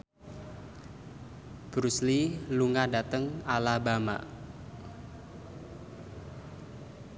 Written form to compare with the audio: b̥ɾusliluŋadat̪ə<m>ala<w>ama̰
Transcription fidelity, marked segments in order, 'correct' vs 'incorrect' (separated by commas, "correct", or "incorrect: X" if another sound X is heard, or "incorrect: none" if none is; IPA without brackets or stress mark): incorrect: ŋ, incorrect: b